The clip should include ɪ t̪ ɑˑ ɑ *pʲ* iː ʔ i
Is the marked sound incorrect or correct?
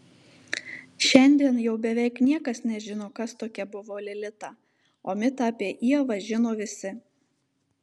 correct